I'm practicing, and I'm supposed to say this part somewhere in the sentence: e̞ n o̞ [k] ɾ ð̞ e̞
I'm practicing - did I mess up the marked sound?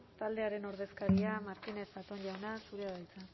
yes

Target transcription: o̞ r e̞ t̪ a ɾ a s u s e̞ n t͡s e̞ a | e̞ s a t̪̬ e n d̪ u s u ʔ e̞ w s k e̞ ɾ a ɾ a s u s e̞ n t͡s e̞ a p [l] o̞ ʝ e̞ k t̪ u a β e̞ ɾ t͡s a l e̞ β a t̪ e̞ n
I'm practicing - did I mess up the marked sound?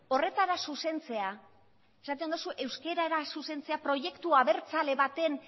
yes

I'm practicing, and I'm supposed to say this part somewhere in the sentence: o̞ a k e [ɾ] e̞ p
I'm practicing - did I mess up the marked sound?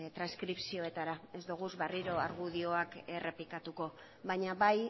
yes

